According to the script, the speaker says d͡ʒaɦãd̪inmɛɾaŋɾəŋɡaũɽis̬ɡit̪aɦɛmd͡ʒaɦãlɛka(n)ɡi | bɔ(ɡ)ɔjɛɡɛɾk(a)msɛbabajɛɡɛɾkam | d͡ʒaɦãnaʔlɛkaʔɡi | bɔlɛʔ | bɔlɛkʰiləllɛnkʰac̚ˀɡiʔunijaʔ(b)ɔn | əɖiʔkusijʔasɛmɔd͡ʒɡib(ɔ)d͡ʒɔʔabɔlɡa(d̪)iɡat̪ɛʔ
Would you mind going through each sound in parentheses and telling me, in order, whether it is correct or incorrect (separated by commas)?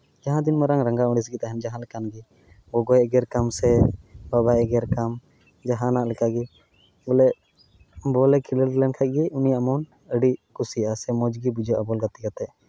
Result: correct, correct, correct, incorrect, incorrect, incorrect